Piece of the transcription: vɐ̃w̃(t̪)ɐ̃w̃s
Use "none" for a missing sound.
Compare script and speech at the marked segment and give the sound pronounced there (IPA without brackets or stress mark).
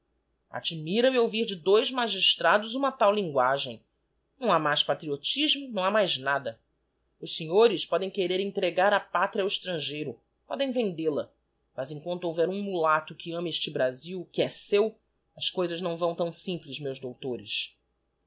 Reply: t̪